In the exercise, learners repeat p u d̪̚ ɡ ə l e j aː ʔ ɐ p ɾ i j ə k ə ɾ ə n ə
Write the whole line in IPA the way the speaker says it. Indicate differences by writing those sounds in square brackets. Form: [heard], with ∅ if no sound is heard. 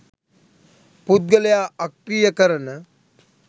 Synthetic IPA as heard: p u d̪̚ ɡ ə l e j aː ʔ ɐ [k] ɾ i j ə k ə ɾ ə n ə